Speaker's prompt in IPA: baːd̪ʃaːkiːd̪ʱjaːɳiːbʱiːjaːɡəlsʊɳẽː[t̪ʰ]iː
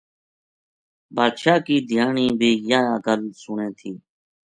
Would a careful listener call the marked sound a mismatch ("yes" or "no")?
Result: no